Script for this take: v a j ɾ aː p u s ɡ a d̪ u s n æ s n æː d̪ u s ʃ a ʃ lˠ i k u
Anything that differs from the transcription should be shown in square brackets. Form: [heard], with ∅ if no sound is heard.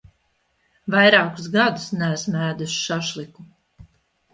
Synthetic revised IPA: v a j ɾ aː [k] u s ɡ a d̪ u s n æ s [m] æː d̪ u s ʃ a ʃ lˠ i k u